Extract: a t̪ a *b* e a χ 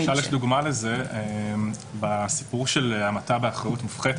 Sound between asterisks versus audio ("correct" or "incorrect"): correct